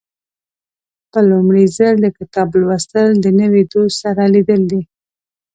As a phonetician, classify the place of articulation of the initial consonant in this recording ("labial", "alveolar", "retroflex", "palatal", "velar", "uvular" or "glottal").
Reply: labial